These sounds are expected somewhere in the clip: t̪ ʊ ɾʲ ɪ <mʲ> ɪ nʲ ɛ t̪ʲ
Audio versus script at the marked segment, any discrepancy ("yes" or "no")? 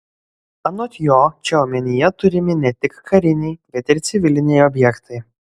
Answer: no